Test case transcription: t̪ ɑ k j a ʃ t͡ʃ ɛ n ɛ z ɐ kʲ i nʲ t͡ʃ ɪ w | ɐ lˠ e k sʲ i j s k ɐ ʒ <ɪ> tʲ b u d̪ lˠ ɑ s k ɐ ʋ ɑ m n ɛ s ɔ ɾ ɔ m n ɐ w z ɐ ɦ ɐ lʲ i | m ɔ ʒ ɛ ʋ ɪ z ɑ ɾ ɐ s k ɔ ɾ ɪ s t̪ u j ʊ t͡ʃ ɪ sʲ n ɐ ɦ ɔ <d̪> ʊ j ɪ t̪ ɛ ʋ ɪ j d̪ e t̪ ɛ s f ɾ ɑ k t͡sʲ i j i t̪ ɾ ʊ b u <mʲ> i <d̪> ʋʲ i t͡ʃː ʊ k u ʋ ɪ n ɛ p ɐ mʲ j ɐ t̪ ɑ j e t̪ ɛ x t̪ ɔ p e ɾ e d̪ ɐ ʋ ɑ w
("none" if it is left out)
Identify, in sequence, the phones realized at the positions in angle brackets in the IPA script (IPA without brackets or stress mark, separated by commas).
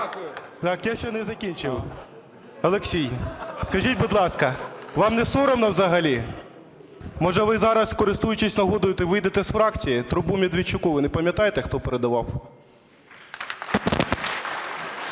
i, d̪, mʲ, d̪